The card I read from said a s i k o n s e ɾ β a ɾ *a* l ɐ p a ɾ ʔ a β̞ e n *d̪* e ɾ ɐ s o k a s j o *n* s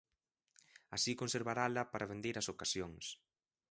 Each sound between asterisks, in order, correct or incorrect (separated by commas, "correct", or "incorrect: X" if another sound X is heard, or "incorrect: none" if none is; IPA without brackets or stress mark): correct, correct, incorrect: ŋ